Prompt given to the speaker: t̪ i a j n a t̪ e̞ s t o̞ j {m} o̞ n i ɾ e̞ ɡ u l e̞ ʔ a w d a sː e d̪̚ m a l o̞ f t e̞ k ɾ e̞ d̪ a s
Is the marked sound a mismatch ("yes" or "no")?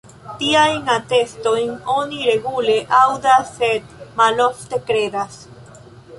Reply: yes